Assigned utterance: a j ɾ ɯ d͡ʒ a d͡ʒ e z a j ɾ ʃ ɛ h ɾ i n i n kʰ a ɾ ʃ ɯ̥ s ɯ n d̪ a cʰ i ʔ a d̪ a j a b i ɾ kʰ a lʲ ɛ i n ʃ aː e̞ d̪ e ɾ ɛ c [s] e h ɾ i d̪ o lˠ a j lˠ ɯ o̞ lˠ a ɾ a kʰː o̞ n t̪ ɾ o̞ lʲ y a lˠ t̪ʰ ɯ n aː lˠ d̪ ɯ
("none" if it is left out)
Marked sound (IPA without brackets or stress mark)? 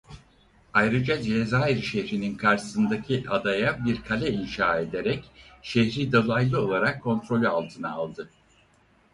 ʃ